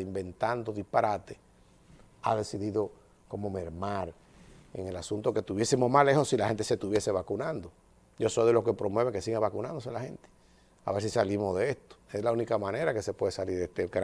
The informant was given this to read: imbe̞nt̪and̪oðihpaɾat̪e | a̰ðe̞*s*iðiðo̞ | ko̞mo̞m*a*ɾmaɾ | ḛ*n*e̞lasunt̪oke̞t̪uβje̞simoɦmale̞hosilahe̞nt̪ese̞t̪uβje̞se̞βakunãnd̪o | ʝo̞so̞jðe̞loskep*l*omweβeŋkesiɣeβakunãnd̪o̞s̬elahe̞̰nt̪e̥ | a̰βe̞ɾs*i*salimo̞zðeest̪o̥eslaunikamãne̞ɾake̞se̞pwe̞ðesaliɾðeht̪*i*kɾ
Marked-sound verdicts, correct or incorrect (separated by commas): correct, incorrect, incorrect, incorrect, correct, incorrect